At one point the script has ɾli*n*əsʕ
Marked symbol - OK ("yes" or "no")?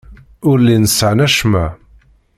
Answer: yes